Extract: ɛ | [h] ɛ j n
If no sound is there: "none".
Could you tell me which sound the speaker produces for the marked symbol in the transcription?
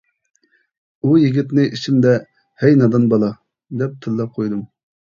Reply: h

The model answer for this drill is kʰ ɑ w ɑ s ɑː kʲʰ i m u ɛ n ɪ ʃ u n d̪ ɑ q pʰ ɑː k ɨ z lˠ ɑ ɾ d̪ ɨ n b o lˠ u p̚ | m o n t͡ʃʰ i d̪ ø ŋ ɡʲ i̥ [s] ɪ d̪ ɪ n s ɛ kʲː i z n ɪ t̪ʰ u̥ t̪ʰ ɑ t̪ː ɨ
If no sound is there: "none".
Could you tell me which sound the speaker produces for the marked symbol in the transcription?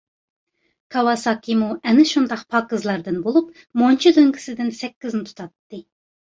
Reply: s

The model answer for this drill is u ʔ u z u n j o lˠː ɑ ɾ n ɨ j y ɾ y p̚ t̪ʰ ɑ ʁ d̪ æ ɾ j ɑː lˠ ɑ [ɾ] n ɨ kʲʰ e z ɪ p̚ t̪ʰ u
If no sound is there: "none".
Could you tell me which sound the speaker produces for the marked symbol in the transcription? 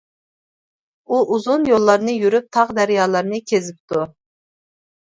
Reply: ɾ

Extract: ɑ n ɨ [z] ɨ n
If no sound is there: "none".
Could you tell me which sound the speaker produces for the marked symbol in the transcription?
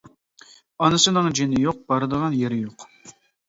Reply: s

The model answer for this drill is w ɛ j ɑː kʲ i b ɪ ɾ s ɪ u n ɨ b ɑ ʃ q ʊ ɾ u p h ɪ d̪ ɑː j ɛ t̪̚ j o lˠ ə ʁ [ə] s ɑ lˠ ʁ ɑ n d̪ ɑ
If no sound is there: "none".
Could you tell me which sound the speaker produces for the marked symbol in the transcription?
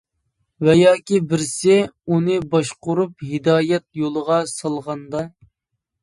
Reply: ɑ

